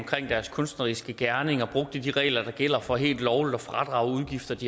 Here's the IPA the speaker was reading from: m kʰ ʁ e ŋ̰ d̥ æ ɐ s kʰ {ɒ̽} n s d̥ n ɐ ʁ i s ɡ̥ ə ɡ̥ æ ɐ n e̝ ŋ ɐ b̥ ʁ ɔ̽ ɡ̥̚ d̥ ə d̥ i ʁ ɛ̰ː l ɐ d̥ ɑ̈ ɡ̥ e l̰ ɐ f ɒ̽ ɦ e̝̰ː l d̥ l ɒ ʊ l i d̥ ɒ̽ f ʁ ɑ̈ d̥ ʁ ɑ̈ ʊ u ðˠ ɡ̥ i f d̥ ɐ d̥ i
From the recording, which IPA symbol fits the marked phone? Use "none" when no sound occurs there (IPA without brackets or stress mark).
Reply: ɔ̽